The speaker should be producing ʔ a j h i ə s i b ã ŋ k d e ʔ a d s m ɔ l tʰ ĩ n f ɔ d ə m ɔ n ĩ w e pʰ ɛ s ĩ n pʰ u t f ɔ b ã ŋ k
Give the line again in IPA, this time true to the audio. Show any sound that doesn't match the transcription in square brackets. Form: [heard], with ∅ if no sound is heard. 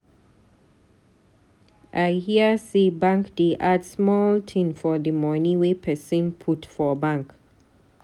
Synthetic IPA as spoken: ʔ a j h i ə s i b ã ŋ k d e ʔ a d s m ɔ l tʰ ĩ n f ɔ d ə m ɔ n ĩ w e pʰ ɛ s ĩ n pʰ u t f ɔ b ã ŋ k